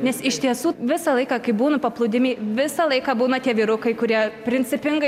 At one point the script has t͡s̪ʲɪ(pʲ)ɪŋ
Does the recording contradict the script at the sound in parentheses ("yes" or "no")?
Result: no